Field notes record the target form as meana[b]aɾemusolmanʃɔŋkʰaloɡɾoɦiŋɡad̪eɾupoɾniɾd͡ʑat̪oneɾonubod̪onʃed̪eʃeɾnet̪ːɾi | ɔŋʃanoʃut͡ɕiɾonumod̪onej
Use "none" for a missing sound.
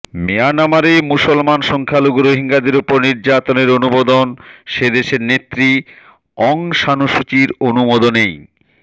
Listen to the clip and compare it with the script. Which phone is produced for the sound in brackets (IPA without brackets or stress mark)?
m